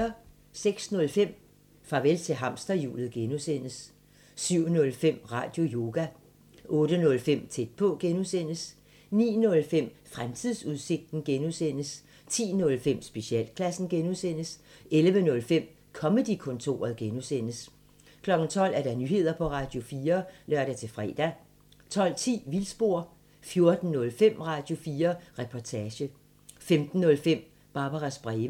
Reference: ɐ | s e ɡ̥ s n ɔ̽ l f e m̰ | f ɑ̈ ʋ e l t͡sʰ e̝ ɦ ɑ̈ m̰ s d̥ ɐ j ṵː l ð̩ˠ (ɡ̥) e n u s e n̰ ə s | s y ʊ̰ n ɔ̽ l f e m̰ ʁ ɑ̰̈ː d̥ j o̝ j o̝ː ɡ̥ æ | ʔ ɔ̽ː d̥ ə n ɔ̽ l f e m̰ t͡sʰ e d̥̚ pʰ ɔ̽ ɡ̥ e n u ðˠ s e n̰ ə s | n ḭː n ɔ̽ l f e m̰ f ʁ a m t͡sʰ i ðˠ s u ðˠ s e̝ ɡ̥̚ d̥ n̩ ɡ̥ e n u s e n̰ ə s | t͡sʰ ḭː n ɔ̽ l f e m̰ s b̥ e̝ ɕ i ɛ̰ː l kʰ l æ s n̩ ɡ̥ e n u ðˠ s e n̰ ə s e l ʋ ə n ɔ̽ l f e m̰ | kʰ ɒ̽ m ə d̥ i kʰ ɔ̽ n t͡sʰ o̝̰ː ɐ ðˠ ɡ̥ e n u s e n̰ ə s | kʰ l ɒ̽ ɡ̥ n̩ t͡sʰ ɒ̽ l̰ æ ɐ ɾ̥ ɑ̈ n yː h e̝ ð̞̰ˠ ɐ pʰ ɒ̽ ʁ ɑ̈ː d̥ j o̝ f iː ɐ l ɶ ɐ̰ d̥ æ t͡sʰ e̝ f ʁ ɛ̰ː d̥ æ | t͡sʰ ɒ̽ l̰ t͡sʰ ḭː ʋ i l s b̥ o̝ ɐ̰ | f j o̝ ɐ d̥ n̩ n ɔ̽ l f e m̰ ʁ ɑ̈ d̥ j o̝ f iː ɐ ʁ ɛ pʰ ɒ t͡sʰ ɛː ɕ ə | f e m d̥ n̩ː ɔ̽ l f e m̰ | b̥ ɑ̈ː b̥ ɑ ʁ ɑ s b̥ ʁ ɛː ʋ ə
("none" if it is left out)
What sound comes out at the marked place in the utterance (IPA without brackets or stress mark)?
ɡ̥